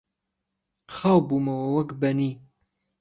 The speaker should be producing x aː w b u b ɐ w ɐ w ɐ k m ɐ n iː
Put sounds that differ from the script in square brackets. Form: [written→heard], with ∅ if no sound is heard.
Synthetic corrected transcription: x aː w b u [b→m] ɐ w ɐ w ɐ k [m→b] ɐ n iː